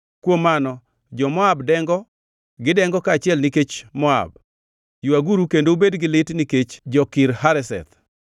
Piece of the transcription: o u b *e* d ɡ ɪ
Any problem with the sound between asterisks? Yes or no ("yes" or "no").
no